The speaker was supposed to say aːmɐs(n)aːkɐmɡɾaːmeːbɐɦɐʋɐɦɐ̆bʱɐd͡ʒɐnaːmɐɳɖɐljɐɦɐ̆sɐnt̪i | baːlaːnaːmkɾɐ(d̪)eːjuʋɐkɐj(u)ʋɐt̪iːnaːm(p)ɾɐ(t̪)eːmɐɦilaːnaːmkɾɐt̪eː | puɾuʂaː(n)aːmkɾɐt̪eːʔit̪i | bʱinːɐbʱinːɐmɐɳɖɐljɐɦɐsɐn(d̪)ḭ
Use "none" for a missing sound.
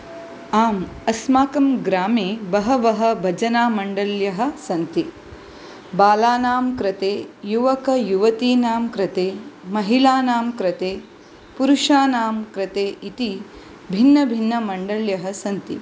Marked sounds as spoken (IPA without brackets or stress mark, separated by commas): m, t̪, u, k, t̪, n, t̪